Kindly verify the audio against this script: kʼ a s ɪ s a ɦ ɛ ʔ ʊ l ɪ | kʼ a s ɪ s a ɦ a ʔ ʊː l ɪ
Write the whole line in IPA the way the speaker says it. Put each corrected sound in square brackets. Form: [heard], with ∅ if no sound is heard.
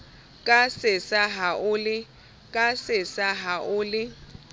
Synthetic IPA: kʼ a s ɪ s a ɦ [a] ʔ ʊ l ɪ | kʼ a s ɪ s a ɦ a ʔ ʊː l ɪ